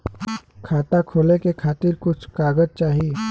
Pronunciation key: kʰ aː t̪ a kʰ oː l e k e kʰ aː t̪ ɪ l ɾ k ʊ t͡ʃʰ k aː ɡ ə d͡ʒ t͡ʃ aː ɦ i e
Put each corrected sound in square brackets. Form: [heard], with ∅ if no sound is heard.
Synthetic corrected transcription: kʰ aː t̪ a kʰ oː l e k e kʰ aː t̪ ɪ [∅] ɾ k ʊ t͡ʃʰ k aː ɡ ə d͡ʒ t͡ʃ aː ɦ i e